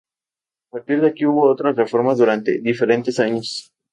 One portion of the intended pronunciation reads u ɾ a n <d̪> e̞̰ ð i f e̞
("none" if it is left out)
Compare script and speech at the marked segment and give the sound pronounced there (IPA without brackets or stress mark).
t̪